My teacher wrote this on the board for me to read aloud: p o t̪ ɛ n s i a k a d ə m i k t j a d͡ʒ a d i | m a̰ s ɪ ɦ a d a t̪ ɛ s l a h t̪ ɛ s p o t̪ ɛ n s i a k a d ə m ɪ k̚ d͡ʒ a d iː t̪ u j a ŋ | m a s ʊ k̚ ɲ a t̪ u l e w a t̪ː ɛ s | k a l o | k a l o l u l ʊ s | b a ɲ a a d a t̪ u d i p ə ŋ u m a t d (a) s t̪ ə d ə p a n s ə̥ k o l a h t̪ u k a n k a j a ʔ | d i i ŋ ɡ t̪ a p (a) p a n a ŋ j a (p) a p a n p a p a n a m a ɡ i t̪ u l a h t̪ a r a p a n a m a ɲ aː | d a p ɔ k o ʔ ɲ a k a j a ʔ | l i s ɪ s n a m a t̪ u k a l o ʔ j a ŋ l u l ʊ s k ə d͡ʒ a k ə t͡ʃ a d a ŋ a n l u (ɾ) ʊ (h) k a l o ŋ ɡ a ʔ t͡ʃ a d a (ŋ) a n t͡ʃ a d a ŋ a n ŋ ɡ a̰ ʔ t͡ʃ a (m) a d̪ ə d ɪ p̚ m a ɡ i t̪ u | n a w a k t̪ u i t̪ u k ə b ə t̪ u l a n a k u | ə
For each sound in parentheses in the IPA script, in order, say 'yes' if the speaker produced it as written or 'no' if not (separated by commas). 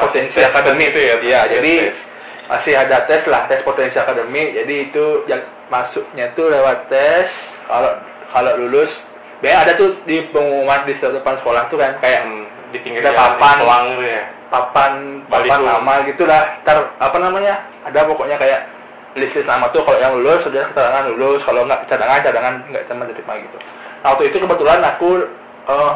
no, yes, yes, no, no, yes, yes